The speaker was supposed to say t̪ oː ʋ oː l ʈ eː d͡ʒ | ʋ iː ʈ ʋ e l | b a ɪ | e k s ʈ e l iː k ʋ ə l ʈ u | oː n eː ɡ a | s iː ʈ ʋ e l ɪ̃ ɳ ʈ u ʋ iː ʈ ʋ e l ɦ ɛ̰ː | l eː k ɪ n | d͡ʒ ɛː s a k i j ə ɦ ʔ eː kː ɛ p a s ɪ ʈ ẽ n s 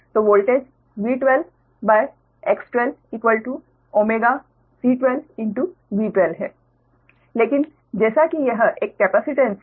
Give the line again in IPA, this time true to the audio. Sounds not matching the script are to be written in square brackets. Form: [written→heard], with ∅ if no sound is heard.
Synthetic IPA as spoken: t̪ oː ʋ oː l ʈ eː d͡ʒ | ʋ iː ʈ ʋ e l | b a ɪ | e k s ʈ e l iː k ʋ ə l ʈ u | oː [n→m] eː ɡ a | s iː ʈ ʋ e l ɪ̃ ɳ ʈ u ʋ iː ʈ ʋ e l ɦ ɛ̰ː | l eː k ɪ n | d͡ʒ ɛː s a k i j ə ɦ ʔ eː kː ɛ p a s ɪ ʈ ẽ n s